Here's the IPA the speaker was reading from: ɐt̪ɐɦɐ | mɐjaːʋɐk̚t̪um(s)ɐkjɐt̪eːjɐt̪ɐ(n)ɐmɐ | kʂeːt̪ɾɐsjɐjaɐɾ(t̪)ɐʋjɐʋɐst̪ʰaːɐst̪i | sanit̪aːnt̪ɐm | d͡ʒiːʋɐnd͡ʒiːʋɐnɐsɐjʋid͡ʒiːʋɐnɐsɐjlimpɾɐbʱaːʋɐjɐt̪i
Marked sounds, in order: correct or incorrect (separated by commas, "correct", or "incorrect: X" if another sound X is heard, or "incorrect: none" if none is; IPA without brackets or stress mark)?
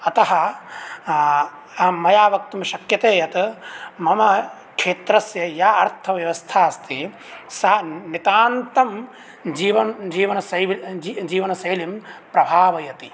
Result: incorrect: ʃ, incorrect: m, incorrect: t̪ʰ